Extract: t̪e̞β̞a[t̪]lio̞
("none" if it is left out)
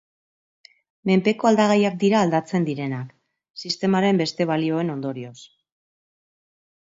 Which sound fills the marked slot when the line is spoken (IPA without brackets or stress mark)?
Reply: none